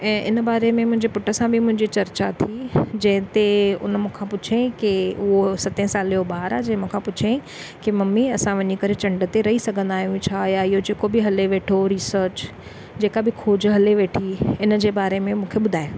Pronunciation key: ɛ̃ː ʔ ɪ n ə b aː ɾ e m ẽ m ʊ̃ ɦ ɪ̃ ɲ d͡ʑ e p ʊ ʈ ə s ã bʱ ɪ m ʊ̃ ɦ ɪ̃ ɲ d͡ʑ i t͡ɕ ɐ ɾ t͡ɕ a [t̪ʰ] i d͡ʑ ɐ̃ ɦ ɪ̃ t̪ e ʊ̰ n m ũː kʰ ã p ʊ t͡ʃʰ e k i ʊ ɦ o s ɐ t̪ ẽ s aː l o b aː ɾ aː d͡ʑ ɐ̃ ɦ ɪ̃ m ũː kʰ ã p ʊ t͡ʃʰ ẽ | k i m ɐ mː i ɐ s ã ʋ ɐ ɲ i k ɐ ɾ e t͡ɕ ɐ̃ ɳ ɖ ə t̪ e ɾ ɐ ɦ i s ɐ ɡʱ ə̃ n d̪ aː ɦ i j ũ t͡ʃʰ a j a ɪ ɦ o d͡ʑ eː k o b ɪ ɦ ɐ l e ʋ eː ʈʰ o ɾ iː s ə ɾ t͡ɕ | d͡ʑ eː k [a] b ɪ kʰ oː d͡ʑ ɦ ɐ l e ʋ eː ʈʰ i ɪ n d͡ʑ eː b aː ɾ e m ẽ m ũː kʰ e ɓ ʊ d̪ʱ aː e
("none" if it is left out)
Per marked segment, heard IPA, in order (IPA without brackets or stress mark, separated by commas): t̪ʰ, a